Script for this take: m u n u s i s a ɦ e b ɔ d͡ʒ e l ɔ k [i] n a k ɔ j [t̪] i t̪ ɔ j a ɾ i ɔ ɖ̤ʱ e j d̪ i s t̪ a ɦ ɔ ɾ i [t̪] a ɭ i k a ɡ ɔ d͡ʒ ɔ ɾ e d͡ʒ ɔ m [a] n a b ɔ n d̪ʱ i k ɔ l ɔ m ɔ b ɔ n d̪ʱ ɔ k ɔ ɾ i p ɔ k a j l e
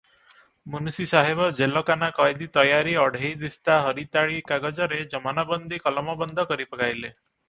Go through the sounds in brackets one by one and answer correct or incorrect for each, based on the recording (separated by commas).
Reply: incorrect, incorrect, correct, correct